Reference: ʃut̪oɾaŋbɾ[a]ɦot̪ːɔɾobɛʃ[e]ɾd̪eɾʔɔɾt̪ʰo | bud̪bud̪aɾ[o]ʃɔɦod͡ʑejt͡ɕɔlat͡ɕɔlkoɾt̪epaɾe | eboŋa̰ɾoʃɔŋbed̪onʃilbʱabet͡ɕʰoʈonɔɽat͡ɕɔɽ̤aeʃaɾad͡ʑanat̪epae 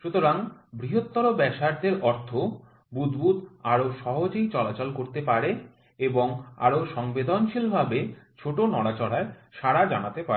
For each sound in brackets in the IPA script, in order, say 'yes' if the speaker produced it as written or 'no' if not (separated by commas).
no, no, yes